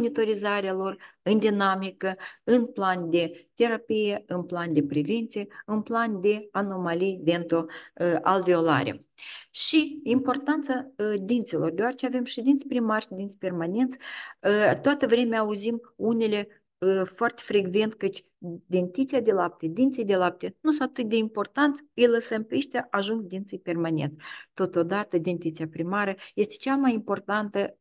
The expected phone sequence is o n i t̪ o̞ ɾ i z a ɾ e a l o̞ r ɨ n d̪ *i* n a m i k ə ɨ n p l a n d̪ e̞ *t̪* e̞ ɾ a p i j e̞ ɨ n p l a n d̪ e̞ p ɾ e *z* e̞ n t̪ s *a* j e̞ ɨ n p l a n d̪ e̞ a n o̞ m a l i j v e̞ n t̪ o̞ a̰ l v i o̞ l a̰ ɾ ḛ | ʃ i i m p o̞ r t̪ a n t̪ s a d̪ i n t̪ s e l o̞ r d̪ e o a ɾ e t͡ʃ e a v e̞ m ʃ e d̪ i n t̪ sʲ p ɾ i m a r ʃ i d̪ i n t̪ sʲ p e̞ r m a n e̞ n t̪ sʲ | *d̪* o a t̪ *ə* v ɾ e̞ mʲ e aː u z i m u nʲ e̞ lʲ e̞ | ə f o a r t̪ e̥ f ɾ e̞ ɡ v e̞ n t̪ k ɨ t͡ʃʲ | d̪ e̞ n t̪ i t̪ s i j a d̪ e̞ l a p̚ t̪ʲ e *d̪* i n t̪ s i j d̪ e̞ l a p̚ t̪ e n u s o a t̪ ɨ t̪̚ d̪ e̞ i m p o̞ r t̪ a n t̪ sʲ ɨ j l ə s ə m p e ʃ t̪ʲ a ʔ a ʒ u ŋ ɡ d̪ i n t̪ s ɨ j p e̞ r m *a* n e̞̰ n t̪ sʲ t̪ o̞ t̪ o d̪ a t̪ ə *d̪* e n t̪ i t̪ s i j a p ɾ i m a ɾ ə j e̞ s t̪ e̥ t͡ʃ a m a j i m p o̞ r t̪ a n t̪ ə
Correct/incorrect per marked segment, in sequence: correct, correct, incorrect, incorrect, incorrect, correct, correct, correct, correct

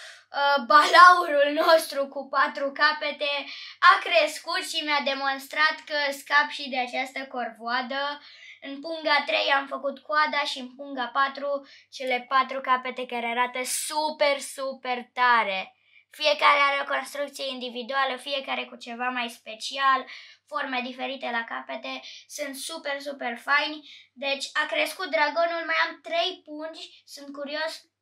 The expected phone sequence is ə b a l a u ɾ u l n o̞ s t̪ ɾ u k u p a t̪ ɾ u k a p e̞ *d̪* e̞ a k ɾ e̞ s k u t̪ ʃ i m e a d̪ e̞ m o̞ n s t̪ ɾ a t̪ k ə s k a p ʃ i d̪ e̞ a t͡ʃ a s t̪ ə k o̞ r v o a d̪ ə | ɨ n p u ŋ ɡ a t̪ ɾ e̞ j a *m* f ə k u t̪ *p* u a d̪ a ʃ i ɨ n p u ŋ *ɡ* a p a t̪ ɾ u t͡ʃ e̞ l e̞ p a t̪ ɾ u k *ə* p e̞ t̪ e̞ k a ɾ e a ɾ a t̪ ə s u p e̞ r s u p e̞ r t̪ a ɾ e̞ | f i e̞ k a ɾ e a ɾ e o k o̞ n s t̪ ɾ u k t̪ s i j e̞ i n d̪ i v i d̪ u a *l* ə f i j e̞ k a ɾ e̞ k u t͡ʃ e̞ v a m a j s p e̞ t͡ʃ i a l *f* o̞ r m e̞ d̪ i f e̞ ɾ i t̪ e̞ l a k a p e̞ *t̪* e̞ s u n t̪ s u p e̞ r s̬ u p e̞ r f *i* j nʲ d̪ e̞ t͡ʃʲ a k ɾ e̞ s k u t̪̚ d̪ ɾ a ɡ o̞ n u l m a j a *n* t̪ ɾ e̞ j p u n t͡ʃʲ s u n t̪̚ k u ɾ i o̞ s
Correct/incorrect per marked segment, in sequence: incorrect, correct, incorrect, correct, incorrect, correct, correct, correct, incorrect, incorrect

